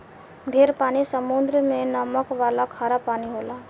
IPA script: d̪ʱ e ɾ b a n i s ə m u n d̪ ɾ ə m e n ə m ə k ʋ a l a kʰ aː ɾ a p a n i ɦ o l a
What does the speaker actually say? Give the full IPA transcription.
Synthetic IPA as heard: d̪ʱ e ɾ p a n i s ə m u n d̪ ɾ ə m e n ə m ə k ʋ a l a kʰ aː ɾ a p a n i ɦ o l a